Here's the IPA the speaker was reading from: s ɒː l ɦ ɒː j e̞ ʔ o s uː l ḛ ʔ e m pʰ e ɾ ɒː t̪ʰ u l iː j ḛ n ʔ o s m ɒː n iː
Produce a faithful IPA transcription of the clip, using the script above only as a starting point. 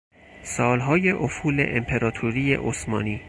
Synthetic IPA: s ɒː l ɦ ɒː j e̞ ʔ o f uː l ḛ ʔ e m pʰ e ɾ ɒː t̪ʰ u ɾ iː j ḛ ʔ o s m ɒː n iː